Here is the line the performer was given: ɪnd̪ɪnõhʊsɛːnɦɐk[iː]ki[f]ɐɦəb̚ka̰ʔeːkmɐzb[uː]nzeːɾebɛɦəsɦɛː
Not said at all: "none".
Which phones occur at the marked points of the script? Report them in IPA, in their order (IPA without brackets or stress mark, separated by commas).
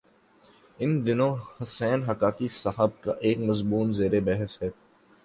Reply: aː, s, uː